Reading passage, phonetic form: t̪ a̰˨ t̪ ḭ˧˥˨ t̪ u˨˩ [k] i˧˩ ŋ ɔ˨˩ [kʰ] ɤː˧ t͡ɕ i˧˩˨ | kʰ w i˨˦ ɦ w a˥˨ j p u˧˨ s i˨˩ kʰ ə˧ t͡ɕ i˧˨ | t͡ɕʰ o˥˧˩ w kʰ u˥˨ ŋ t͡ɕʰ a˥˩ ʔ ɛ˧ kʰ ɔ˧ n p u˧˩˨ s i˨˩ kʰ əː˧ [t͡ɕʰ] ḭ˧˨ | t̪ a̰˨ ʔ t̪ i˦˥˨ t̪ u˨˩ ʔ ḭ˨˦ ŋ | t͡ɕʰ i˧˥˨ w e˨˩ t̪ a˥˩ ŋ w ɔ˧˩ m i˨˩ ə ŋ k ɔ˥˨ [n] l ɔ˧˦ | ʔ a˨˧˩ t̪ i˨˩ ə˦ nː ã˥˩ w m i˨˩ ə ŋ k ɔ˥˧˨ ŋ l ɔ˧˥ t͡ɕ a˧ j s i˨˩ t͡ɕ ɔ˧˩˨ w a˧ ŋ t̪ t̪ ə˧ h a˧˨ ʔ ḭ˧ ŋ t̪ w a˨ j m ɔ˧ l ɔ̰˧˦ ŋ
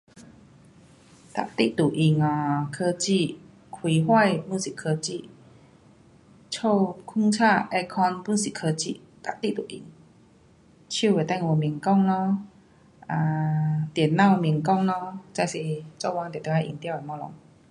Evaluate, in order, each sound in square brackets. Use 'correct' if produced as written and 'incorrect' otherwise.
incorrect, correct, incorrect, incorrect

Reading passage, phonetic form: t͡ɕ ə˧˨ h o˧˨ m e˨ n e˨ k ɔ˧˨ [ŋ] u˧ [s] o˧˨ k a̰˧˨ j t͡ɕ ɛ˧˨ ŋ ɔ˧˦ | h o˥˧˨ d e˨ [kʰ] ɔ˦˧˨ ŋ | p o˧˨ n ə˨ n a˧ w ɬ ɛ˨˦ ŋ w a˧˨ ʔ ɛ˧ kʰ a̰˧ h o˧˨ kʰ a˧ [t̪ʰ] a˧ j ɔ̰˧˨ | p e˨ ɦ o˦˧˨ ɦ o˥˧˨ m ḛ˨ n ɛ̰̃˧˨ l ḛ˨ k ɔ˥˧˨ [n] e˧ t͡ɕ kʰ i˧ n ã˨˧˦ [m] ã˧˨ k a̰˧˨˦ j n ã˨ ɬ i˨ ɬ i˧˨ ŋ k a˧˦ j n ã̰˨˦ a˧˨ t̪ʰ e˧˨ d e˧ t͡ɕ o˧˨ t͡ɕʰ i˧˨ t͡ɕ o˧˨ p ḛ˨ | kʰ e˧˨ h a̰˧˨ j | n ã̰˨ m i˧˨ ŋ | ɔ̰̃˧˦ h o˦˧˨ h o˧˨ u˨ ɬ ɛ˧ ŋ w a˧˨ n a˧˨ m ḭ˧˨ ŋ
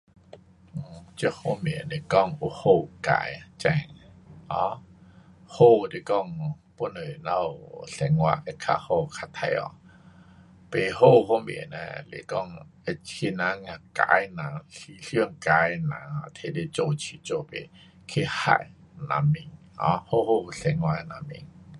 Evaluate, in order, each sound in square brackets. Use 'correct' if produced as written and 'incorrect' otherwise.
correct, incorrect, incorrect, correct, incorrect, incorrect

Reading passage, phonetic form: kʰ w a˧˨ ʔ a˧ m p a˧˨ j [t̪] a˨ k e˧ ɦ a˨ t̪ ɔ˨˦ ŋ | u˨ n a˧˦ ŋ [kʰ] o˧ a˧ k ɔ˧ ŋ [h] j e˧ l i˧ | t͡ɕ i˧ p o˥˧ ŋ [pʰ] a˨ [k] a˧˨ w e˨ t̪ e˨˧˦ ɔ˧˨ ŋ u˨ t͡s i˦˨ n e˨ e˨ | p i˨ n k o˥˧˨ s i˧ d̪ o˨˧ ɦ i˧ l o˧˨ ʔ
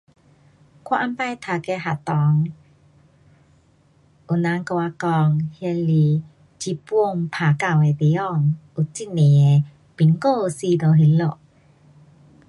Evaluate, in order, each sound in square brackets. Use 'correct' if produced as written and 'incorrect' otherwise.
incorrect, incorrect, correct, correct, correct

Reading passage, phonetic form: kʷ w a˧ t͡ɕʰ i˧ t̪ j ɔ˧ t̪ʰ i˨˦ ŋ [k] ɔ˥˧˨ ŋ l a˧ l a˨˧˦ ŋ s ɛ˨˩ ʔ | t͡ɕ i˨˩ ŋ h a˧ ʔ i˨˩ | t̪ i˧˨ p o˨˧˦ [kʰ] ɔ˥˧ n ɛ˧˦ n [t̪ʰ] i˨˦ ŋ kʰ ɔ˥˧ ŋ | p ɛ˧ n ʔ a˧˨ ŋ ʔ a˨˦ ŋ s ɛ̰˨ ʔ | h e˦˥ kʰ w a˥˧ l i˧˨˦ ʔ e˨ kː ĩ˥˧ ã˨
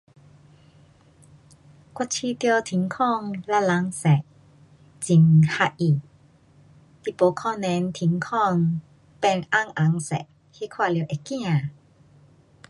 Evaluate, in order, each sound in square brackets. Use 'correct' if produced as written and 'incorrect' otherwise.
incorrect, correct, correct

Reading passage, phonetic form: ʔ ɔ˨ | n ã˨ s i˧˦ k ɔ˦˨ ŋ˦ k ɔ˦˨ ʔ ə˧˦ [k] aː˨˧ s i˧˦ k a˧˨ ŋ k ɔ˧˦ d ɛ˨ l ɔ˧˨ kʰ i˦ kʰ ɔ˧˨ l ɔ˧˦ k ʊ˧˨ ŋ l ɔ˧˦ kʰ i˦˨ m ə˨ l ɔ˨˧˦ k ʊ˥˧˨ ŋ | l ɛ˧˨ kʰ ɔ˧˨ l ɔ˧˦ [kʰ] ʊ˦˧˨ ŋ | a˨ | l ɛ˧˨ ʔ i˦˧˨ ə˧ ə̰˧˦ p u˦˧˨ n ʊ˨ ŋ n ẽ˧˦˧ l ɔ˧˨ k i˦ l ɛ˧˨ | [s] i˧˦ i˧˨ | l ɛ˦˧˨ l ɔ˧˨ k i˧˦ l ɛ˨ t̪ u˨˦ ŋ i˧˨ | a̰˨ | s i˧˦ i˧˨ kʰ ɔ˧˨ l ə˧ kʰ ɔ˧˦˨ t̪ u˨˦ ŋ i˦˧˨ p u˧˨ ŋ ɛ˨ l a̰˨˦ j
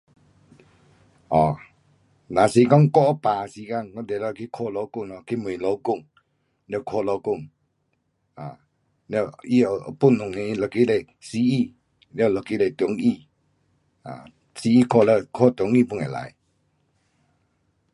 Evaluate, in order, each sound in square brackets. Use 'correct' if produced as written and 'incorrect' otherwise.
incorrect, incorrect, correct

